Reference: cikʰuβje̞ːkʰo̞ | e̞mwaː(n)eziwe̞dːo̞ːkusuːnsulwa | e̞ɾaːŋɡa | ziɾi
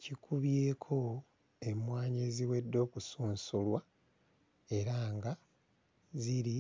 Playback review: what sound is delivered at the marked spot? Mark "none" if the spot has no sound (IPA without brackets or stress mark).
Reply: ɲ